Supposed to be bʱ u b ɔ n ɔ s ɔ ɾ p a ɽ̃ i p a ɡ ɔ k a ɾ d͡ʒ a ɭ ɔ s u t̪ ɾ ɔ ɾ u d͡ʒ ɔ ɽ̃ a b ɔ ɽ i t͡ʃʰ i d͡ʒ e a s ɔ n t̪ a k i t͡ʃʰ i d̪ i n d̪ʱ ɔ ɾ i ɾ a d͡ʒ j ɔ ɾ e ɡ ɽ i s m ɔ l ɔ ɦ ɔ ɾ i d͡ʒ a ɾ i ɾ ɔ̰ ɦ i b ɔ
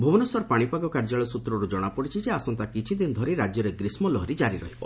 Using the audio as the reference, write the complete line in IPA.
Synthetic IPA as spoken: bʱ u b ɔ n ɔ s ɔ ɾ p a ɽ̃ i p a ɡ ɔ k a ɾ d͡ʒ a ɭ ɔ s u t̪ ɾ ɔ ɾ u d͡ʒ ɔ ɽ̃ a p ɔ ɽ i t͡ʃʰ i d͡ʒ e a s ɔ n t̪ a k i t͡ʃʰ i d̪ i n d̪ʱ ɔ ɾ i ɾ a d͡ʒ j ɔ ɾ e ɡ ɾ i s m ɔ l ɔ ɦ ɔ ɾ i d͡ʒ a ɾ i ɾ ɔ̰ ɦ i b ɔ